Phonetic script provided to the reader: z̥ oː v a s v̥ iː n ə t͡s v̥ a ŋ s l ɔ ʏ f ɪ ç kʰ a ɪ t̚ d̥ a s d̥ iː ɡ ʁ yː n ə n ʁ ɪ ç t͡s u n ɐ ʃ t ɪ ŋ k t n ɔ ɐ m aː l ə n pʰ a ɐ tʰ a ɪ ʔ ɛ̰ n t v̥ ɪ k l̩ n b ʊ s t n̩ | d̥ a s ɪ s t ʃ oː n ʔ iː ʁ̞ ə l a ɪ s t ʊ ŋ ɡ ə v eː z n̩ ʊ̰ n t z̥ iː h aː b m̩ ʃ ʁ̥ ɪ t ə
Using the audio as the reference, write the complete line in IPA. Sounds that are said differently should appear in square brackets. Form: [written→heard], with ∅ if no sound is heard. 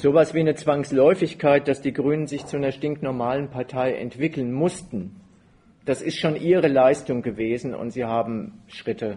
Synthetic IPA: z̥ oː v a s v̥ iː n ə t͡s v̥ a ŋ s l ɔ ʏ f ɪ ç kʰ a ɪ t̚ d̥ a s d̥ iː ɡ ʁ yː n ə n [ʁ→z] ɪ ç t͡s u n ɐ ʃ t ɪ ŋ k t n ɔ ɐ m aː l ə n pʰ a ɐ tʰ a ɪ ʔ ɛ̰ n t v̥ ɪ k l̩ n [b→m] ʊ s t n̩ | d̥ a s ɪ s t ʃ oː n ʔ iː ʁ̞ ə l a ɪ s t ʊ ŋ ɡ ə v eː z n̩ ʊ̰ n t z̥ iː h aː b m̩ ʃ ʁ̥ ɪ t ə